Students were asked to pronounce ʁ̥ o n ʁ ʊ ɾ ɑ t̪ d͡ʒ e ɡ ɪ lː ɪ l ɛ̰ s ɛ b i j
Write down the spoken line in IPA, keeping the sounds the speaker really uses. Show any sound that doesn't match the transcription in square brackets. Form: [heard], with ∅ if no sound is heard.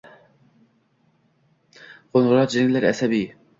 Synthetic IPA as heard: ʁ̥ o n ʁ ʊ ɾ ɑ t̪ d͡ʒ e [ŋ] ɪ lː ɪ [ɾ] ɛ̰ s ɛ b i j

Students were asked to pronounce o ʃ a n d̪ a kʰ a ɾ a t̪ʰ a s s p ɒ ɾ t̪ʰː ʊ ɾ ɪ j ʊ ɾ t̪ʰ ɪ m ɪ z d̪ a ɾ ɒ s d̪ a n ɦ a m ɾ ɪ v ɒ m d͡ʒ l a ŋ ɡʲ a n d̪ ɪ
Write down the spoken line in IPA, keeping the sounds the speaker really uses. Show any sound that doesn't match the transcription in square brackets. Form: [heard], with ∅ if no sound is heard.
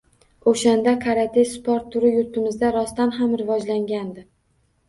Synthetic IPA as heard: o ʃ a n d̪ a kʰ a ɾ a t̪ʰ [e] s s p ɒ ɾ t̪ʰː ʊ ɾ ɪ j ʊ ɾ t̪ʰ ɪ m ɪ z d̪ a ɾ ɒ s [t̪] a n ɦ a m ɾ ɪ v ɒ [∅] d͡ʒ l a ŋ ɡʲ a n d̪ ɪ

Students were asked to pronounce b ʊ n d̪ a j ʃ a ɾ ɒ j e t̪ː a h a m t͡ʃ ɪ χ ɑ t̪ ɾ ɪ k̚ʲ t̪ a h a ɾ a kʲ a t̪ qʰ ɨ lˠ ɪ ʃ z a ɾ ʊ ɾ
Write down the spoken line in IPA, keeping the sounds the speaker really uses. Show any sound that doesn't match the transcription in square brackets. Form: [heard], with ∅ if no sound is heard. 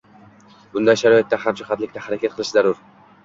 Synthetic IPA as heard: b ʊ n d̪ a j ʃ a ɾ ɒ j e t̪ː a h a m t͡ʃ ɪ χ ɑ t̪ [l] ɪ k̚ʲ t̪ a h a ɾ a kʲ a t̪ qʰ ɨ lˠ ɪ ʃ z a ɾ ʊ ɾ

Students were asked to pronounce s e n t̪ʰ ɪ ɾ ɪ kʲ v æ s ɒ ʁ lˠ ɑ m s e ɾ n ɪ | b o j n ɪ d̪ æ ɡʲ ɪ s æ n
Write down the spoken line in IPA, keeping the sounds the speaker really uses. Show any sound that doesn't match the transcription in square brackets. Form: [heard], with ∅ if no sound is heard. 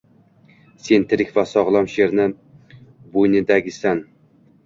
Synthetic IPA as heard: s e n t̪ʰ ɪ ɾ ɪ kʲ v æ s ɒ ʁ lˠ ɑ m [ʃ] e ɾ n ɪ | b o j n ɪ d̪ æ ɡʲ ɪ s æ n

